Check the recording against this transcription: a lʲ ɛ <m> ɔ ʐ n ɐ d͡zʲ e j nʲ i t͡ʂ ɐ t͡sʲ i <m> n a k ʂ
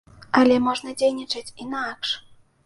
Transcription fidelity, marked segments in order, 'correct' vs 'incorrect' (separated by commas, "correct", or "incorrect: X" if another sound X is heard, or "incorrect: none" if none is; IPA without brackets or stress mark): correct, incorrect: none